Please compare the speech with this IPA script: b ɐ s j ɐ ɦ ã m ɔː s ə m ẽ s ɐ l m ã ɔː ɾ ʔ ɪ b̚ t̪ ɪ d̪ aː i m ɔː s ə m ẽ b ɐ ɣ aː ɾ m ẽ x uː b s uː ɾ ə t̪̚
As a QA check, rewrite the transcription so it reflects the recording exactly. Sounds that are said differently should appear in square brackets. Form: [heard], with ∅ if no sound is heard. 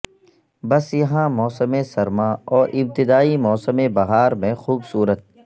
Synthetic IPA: b ɐ s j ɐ ɦ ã m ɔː s ə m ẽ s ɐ [ɾ] m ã ɔː ɾ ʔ ɪ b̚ t̪ ɪ d̪ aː i m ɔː s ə m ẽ b ɐ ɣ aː ɾ m ẽ x uː b s uː ɾ ə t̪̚